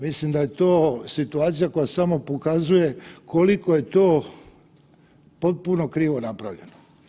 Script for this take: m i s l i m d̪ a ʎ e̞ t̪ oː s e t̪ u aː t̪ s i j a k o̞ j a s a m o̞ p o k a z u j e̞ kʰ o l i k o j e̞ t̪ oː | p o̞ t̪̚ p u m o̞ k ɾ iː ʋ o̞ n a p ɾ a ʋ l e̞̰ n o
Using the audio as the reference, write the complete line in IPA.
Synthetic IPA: m i s l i m d̪ a j e̞ t̪ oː s i t̪ u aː t̪ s i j a k o̞ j a s a m o̞ p o k a z u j e̞ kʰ o l i k o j e̞ t̪ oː | p o̞ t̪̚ p u n o̞ k ɾ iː ʋ o̞ n a p ɾ a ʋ ʎ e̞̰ n o

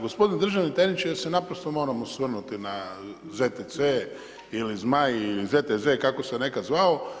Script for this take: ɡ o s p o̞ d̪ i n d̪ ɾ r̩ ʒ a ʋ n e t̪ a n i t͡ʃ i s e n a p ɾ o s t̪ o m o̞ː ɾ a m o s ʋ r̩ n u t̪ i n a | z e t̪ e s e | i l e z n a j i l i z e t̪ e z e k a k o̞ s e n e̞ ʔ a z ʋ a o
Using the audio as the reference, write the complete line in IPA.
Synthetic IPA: ɡ o s p o̞ d̪ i n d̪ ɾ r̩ ʒ a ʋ n i t̪ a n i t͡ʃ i s e n a p ɾ o s t̪ o m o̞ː ɾ a m o s ʋ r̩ n u t̪ i n a | z e t̪ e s e | i l i z m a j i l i z e t̪ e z e k a k o̞ s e n e̞ k a z ʋ a o

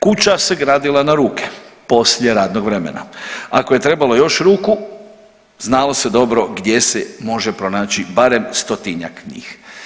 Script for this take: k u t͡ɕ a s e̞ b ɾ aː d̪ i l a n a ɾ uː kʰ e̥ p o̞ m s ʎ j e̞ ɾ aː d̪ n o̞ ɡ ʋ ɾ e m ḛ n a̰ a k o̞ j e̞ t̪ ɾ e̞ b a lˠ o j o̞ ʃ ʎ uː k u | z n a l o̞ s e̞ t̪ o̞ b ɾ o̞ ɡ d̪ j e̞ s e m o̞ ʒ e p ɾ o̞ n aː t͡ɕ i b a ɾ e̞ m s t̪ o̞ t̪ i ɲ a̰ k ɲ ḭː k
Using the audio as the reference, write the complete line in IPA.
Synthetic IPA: k u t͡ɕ a s e̞ ɡ ɾ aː d̪ i l a n a ɾ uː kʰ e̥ p o̞ s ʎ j e̞ ɾ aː d̪ n o̞ ɡ ʋ ɾ e m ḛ n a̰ a k o̞ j e̞ t̪ ɾ e̞ b a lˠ o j o̞ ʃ ɾ uː k u | z n a l o̞ s e̞ d̪ o̞ b ɾ o̞ ɡ d̪ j e̞ s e m o̞ ʒ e p ɾ o̞ n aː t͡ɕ i b a ɾ e̞ m s t̪ o̞ t̪ i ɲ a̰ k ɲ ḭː x

